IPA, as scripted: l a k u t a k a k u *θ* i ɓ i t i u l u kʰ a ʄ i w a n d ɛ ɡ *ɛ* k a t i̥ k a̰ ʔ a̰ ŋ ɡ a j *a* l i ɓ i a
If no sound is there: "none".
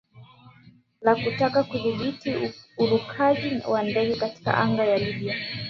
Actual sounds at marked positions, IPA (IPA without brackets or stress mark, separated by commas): ð, ɛ, a